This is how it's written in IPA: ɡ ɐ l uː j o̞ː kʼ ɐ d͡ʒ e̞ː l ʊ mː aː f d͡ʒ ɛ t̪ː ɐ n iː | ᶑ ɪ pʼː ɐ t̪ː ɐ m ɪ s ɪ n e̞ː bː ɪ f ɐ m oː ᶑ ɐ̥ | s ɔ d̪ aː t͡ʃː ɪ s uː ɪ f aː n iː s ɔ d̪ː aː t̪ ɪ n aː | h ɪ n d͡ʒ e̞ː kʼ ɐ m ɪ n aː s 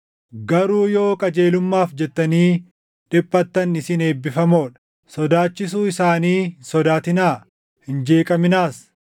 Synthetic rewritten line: ɡ ɐ ɾ uː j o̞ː kʼ ɐ d͡ʒ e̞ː l ʊ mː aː f d͡ʒ ɛ t̪ː ɐ n iː | ᶑ ɪ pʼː ɐ t̪ː ɐ n ɪ s ɪ n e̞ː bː ɪ f ɐ m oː ᶑ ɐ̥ | s ɔ d̪ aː t͡ʃː ɪ s uː ɪ s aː n iː s ɔ d̪ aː t̪ ɪ n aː | h ɪ n d͡ʒ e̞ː kʼ ɐ m ɪ n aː s